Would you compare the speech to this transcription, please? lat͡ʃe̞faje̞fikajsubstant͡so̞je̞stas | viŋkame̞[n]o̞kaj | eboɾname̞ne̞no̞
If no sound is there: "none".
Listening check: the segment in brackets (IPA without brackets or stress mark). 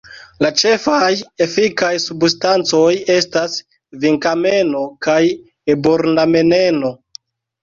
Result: n